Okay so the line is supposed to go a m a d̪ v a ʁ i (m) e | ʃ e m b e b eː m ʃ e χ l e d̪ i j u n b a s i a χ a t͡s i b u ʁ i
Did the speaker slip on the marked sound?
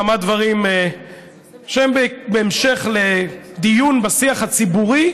no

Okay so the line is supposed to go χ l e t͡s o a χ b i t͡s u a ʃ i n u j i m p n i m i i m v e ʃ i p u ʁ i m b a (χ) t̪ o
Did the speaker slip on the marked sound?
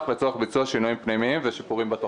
yes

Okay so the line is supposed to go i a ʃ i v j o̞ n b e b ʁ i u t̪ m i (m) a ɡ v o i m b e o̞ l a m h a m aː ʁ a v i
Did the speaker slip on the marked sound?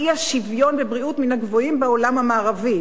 yes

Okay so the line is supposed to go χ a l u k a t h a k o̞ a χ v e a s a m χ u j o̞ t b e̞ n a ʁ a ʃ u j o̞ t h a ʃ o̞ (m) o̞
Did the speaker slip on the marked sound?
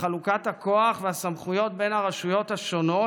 yes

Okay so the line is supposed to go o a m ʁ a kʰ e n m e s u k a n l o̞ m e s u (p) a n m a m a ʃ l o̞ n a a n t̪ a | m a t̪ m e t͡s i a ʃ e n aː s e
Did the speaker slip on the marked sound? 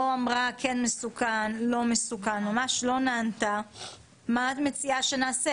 yes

